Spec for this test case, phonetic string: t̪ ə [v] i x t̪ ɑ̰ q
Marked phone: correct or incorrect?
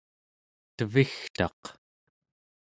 correct